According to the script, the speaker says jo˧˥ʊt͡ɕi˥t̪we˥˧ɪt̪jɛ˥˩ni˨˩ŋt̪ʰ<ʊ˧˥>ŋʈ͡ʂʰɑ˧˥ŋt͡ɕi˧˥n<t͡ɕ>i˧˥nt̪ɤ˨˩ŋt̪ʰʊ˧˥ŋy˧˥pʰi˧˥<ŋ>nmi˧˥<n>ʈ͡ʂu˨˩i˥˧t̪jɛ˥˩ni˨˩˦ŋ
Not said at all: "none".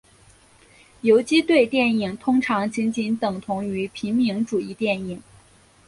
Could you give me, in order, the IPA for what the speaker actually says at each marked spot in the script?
ʊ˥, t͡ɕ, none, ŋ

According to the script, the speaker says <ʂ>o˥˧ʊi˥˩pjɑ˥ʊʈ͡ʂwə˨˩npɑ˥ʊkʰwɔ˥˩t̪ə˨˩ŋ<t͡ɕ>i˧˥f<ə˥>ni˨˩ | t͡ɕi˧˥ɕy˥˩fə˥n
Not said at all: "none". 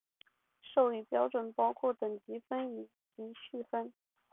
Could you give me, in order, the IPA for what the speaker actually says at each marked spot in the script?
ʂ, t͡ɕ, ə˥

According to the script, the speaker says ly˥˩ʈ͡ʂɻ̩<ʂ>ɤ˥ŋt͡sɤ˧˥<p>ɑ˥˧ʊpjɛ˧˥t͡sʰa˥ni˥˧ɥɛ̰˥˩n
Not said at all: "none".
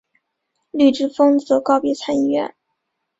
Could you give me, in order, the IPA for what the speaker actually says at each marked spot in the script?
f, k

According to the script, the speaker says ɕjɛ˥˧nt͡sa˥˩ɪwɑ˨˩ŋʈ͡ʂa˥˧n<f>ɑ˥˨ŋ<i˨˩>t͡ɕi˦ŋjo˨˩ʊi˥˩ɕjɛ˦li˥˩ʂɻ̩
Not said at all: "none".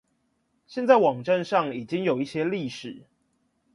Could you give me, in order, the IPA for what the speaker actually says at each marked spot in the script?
ʂ, i˨˩

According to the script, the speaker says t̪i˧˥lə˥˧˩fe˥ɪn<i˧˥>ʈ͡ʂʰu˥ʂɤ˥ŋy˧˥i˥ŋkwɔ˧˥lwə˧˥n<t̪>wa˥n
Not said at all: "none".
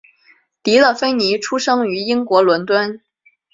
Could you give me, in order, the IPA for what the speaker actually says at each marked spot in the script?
i˧˥, t̪

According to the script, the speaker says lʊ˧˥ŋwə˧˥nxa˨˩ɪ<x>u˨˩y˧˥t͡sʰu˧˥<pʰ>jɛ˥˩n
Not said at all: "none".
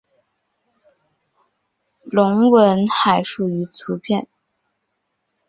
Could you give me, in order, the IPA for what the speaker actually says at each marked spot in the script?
ʂ, pʰ

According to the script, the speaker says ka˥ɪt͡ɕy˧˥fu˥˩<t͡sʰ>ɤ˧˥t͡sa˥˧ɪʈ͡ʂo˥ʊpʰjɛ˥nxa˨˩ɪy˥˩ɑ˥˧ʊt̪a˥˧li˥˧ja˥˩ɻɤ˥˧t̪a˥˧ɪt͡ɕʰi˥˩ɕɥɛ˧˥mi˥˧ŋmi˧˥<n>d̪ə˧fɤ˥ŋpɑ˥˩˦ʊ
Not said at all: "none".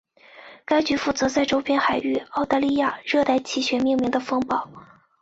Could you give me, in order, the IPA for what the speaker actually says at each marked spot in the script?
t͡s, ŋ

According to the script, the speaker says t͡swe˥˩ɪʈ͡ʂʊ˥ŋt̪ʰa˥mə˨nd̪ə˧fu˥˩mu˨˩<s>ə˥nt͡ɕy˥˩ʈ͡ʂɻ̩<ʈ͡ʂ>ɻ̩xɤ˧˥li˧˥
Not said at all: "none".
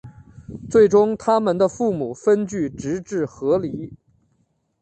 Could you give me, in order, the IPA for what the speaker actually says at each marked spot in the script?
f, ʈ͡ʂ

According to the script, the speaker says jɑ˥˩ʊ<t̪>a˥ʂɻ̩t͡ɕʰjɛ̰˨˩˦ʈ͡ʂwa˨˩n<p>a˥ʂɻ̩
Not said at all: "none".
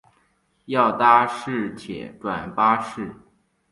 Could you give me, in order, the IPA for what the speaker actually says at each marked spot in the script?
t̪, p

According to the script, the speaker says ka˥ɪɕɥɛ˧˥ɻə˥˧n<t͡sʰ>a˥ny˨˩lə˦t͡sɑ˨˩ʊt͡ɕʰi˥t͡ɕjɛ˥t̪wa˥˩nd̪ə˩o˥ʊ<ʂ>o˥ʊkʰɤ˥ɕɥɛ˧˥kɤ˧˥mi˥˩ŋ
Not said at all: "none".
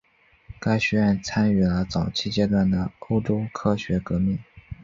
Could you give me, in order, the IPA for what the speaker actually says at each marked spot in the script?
t͡sʰ, ʈ͡ʂ

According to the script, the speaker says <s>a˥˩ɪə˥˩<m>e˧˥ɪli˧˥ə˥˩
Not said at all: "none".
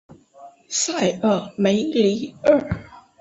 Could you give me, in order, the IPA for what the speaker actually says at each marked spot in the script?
s, m

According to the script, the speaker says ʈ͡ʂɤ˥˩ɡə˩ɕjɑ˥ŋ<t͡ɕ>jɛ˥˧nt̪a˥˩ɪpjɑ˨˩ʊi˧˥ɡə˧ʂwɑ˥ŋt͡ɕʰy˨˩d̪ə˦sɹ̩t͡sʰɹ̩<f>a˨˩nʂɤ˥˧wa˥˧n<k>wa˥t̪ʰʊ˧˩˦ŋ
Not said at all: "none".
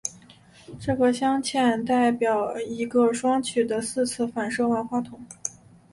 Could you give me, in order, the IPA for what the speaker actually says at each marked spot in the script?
t͡ɕʰ, f, x

